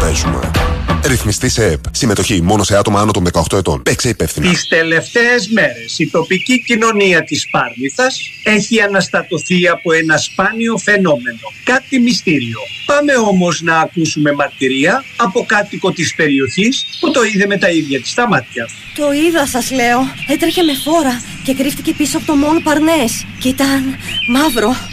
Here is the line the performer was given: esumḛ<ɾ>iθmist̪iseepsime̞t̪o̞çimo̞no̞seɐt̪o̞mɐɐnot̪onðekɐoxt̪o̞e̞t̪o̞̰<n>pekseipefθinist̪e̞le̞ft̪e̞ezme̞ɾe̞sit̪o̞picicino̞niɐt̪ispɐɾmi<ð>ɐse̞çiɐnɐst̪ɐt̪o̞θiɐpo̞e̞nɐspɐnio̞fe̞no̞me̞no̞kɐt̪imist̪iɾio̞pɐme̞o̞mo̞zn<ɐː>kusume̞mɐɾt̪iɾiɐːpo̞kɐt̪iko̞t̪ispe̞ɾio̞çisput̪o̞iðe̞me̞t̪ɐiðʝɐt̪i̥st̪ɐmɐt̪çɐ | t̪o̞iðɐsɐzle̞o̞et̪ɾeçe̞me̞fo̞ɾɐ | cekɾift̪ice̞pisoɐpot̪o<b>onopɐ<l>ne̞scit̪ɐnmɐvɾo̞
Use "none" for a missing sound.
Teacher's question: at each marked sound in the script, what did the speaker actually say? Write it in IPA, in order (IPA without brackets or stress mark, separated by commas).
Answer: ɾ, n, θ, ɐː, m, ɾ